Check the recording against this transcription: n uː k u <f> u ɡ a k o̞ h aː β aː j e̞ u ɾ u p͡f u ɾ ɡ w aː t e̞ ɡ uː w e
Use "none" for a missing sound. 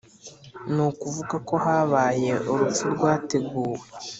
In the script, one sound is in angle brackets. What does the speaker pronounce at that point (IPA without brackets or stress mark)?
v